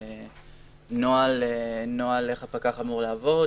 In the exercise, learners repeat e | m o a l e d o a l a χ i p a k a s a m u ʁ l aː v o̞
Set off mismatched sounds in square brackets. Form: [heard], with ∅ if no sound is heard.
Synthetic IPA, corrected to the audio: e | [n] o a l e [n] o a l [e] χ [a] p a k a [χ] a m u ʁ l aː v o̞